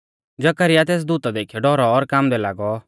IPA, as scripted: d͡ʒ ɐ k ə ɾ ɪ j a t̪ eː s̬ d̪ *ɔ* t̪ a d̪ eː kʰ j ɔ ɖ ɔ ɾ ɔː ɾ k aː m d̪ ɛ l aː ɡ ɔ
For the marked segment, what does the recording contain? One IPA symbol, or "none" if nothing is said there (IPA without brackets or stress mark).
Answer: u